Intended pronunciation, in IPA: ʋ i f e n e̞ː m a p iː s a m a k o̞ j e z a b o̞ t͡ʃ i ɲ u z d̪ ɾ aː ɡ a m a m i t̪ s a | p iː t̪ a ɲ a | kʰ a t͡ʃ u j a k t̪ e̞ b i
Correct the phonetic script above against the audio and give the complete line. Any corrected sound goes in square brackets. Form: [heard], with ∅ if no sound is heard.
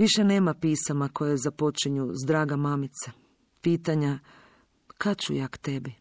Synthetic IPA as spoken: ʋ i [ʃ] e n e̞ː m a p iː s a m a k o̞ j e z a [p] o̞ t͡ʃ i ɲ u z d̪ ɾ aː ɡ a m a m i t̪ s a | p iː t̪ a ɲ a | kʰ a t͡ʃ u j a k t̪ e̞ b i